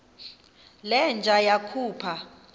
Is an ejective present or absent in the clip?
absent